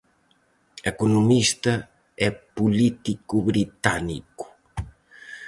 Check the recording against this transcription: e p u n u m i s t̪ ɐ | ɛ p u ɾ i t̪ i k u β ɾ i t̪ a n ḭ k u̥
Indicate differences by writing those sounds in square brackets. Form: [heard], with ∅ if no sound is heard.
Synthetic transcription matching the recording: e [k] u n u m i s t̪ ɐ | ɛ p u [l] i t̪ i k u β ɾ i t̪ a n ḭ k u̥